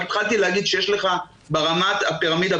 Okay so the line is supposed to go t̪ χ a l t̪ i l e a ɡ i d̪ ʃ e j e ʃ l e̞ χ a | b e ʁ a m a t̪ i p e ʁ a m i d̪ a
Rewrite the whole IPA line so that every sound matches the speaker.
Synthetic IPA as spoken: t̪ χ a l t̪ i l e a ɡ i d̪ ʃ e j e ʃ l e̞ χ a | b e ʁ a m a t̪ a p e ʁ a m i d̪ a

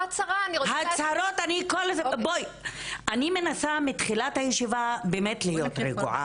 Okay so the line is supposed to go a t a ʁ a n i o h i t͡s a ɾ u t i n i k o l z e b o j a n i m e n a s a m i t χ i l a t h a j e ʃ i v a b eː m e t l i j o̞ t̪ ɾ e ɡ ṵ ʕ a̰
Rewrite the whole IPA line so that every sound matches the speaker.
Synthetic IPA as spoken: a t͡s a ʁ a n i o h a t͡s a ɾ o t a n i k o l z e b o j a n i m e n a s a m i t χ i l a t h a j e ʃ i v a b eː m e t l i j o̞ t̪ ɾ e ɡ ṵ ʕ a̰

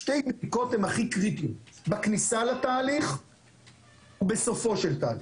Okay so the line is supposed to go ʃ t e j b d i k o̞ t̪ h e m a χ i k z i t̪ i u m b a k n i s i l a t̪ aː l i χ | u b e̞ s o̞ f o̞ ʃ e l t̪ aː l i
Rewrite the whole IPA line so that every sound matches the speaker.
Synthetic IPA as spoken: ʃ t e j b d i k o̞ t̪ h e m a χ i k ʁ i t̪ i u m b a k n i s a l a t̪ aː l i χ | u b e̞ s o̞ f o̞ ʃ e l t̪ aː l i

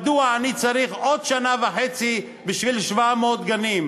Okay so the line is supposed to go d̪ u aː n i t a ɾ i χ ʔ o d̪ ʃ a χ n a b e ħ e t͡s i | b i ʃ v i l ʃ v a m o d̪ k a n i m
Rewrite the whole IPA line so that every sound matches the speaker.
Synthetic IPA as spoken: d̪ u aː n i t͡s a ɾ i χ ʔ o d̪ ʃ a n a v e ħ e t͡s i | b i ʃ v i l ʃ v a m o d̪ ɡ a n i m

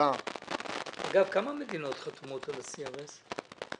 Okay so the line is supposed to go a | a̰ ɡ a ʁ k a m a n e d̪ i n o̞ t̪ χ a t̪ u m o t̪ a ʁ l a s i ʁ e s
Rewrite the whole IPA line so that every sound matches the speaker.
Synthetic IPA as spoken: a | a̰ ɡ a v k a m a m e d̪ i n o̞ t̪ χ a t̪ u m o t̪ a l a s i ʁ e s

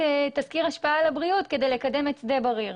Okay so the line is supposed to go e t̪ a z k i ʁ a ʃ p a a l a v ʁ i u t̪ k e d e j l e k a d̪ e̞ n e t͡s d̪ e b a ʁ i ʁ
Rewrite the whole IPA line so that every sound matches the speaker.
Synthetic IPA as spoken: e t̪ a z k i ʁ a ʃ p a a l a b ʁ i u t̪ k e d e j l e k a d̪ e̞ m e t͡s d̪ e b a ʁ i ʁ

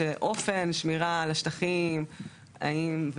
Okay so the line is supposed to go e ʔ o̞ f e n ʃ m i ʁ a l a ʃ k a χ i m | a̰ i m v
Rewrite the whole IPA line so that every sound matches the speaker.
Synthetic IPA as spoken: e ʔ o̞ f e n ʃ m i ʁ a l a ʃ t a χ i m | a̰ i m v

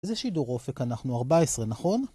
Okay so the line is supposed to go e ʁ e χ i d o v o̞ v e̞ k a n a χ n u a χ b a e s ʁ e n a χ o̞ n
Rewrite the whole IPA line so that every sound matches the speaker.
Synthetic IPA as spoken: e z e ʃ i d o ʁ o̞ f e̞ k a n a χ n u a ʁ b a e s ʁ e n a χ o̞ n

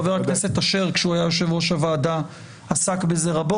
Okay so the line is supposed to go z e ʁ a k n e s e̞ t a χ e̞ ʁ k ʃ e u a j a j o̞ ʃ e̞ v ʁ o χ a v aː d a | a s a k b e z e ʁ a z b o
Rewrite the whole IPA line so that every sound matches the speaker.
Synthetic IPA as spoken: v e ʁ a k n e s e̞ t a ʃ e̞ ʁ k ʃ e u a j a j o̞ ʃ e̞ v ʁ o ʃ a v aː d a | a s a k b e z e ʁ a b o

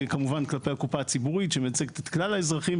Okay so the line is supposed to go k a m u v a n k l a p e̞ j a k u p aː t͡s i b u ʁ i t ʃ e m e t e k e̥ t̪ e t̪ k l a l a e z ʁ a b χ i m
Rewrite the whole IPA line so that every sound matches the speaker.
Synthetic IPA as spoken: k a m u v a n k l a p e̞ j a k u p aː t͡s i b u ʁ i t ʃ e m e t͡s e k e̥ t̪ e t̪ k l a l a e z ʁ a χ i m

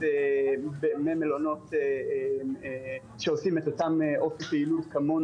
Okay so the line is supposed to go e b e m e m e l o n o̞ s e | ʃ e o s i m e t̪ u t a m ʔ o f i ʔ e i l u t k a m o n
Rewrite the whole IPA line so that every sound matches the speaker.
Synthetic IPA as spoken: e b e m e m e l o n o̞ t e | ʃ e o s i m e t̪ o t a m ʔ o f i p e i l u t k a m o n

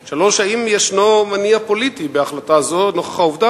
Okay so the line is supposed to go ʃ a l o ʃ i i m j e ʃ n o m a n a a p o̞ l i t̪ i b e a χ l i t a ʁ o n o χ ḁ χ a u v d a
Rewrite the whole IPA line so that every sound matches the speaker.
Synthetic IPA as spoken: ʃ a l o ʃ a i m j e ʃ n o m a n i a p o̞ l i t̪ i b e a χ l a t a z o n o χ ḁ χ a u v d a

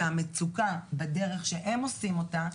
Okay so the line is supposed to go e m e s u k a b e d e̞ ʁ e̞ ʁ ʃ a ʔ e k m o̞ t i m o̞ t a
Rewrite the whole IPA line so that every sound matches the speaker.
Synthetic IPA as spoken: a m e t͡s u k a b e d e̞ ʁ e̞ χ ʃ e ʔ e m o̞ s i m o̞ t a

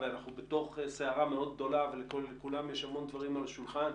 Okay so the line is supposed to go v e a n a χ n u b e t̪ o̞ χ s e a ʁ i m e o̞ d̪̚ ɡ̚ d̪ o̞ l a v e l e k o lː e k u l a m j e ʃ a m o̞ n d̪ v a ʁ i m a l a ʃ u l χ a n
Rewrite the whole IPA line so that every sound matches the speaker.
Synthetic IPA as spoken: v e a n a χ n u b e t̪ o̞ χ s e a ʁ a m e o̞ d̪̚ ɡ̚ d̪ o̞ l a v e l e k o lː e k u l a m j e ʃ a m o̞ n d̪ v a ʁ i m a l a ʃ u l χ a n

